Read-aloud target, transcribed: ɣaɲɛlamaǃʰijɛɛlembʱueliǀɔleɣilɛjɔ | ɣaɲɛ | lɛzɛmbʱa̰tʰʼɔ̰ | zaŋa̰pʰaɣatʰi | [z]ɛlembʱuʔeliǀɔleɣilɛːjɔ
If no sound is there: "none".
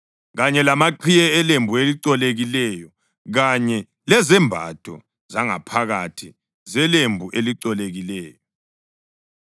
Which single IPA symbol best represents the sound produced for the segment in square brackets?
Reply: z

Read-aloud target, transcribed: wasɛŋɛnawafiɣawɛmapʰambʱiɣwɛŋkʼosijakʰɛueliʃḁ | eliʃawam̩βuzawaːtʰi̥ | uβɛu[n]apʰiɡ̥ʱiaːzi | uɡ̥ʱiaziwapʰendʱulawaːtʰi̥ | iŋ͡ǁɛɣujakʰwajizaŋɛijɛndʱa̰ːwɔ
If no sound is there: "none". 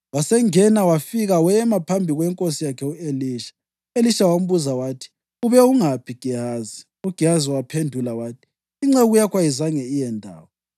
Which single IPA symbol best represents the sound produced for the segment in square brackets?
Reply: ŋ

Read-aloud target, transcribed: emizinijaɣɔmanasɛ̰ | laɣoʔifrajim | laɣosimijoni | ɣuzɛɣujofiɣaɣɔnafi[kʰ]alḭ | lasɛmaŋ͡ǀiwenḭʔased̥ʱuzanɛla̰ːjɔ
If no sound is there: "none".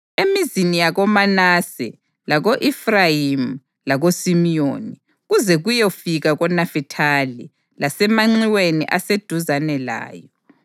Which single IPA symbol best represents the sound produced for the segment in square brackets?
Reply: tʰ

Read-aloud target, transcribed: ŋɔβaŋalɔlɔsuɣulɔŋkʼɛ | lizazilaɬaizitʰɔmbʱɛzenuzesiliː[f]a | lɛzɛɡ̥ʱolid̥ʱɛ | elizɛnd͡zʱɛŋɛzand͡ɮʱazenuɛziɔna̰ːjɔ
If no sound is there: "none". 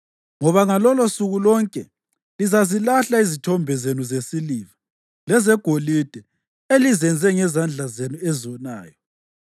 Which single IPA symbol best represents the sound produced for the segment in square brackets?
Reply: v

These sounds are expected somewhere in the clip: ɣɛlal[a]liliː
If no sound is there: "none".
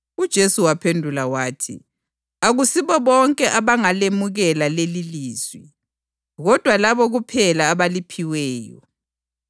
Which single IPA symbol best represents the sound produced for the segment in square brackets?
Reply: e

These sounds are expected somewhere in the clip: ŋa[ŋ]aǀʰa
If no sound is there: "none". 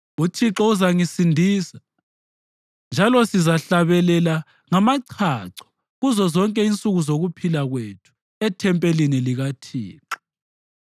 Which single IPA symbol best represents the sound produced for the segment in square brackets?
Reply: m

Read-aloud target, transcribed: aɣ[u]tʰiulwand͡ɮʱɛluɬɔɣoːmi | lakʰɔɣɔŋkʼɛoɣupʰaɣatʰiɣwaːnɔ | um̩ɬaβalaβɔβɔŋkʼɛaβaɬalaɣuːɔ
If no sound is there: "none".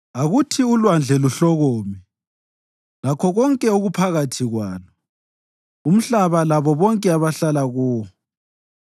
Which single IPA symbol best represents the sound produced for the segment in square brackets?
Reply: u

